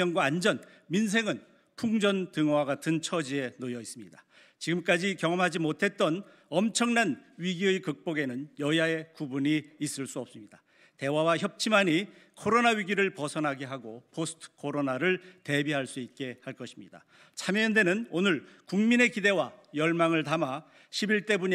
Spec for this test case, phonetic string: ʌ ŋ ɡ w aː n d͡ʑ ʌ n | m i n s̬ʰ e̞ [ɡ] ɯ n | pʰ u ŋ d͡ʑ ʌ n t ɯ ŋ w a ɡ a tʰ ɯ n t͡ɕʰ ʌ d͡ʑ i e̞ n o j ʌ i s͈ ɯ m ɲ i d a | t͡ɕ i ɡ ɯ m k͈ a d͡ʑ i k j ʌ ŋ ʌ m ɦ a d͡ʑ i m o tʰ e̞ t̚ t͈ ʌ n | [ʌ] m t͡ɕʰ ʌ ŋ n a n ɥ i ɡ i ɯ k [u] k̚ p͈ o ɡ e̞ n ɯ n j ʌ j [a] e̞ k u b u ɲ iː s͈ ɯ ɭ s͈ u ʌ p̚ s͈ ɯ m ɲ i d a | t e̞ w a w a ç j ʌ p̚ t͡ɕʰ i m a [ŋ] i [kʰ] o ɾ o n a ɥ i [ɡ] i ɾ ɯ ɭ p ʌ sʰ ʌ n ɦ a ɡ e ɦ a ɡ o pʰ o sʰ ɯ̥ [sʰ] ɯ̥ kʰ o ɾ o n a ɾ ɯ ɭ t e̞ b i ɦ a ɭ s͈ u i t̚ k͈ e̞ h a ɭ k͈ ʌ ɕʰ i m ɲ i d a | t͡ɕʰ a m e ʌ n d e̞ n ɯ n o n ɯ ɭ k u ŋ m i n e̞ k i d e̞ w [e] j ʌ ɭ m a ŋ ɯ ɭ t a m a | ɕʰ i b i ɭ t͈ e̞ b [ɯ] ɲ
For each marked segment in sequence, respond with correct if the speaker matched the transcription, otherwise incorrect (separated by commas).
incorrect, correct, incorrect, correct, incorrect, correct, correct, incorrect, incorrect, incorrect